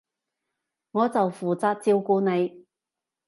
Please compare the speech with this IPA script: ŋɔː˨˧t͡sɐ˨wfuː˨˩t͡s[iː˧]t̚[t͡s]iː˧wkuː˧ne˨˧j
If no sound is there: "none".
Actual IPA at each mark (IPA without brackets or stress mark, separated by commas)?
aː˧, t͡s